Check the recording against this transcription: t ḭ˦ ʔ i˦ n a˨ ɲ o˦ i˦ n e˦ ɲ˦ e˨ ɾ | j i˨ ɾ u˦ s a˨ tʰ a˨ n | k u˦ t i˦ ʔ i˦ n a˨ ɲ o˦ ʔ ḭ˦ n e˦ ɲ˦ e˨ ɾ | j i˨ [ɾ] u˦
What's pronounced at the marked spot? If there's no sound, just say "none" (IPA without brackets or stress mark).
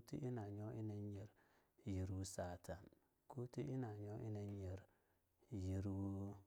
ɾ